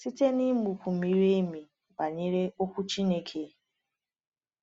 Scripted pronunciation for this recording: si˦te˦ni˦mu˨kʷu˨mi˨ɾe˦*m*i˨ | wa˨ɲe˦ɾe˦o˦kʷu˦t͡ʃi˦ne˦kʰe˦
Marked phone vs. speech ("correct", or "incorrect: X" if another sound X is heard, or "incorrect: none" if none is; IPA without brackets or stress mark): correct